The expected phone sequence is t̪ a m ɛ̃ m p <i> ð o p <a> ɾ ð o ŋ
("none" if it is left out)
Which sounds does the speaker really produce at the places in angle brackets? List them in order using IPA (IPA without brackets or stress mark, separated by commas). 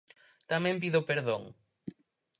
i, e